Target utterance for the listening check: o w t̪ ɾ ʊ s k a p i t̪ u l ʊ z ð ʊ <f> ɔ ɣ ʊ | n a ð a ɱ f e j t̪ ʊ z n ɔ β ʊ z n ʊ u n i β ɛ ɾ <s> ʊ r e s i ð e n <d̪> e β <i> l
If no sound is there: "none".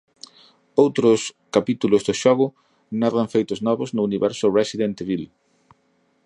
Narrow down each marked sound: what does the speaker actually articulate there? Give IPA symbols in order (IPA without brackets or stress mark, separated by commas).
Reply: ʃ, s, t̪, i